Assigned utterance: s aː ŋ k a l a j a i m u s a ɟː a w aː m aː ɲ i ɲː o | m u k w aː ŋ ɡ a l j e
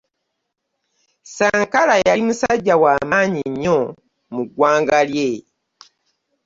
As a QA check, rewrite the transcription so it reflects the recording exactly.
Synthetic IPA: s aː ŋ k a l a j a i m u s a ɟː a w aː m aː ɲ i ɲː o | m u ɡ w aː ŋ ɡ a l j e